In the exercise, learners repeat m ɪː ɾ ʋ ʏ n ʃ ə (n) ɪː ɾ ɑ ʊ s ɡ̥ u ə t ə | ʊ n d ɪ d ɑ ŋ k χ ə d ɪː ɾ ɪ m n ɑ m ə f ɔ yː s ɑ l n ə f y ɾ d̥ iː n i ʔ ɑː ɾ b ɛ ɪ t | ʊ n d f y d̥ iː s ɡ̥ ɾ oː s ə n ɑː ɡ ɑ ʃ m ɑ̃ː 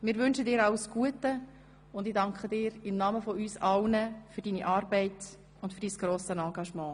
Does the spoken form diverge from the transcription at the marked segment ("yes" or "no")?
yes